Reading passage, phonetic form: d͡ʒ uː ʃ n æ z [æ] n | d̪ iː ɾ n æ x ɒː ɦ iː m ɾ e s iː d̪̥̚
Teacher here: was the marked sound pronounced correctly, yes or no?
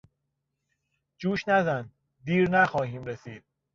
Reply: yes